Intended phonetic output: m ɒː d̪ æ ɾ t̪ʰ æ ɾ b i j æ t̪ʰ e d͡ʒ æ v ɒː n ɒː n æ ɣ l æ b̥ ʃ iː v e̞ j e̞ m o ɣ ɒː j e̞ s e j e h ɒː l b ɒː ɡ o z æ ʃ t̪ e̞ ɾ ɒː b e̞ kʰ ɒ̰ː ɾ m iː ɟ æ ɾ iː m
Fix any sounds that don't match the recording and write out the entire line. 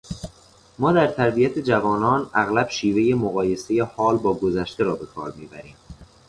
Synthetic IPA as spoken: m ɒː d̪ æ ɾ t̪ʰ æ ɾ b i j æ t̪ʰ e d͡ʒ æ v ɒː n ɒː n æ ɣ l æ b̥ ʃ iː v e̞ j e̞ m o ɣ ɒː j e̞ s e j e h ɒː l b ɒː ɡ o z æ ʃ t̪ e̞ ɾ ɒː b e̞ kʰ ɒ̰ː ɾ m iː b æ ɾ iː m